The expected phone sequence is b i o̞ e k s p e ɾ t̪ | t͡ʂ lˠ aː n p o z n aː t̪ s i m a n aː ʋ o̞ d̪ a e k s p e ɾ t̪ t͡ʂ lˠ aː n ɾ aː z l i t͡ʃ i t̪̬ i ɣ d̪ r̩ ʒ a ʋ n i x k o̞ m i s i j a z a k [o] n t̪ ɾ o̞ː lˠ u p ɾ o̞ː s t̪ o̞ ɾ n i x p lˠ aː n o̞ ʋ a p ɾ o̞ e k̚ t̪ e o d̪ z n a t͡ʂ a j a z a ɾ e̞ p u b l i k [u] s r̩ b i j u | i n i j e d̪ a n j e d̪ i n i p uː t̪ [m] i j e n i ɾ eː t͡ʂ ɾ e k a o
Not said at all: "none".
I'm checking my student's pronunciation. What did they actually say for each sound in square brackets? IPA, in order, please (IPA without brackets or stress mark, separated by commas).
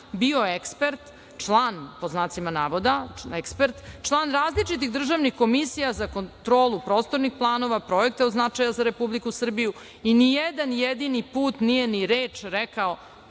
o, u, n